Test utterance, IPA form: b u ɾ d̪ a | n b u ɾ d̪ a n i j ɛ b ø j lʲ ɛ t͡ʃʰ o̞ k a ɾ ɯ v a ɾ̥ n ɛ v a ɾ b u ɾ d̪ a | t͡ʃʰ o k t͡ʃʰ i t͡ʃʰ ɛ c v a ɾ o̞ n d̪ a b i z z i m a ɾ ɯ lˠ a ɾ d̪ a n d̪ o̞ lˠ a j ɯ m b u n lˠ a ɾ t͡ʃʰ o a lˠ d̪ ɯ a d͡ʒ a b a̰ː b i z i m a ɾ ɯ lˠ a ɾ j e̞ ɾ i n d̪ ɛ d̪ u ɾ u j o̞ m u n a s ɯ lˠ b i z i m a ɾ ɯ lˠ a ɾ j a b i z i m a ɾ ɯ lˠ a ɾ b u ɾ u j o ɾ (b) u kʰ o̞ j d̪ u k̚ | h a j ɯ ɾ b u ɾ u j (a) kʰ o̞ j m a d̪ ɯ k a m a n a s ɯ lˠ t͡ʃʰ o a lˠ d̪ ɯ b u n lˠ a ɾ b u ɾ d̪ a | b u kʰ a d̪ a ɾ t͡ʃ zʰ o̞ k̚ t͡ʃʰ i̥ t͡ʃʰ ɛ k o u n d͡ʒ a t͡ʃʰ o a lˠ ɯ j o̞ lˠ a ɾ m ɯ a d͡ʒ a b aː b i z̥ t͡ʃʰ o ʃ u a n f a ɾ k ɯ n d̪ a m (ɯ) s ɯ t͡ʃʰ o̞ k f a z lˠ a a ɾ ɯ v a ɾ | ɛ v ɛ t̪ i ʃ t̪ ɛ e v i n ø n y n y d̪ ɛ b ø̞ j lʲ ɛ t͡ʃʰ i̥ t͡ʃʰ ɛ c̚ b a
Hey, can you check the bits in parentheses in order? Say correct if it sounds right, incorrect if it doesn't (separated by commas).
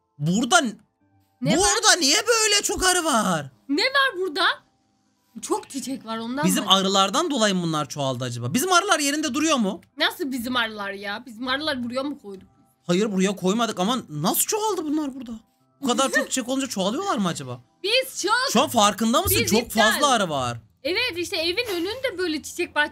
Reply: incorrect, correct, correct